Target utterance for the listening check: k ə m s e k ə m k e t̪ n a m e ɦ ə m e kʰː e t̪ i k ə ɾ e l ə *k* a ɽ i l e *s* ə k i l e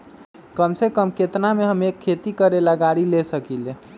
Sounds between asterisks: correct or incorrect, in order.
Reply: incorrect, correct

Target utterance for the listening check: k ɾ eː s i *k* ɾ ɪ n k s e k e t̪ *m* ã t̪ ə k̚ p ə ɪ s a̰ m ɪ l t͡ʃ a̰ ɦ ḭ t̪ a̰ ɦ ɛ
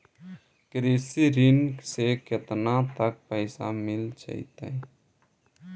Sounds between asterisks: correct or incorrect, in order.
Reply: incorrect, incorrect

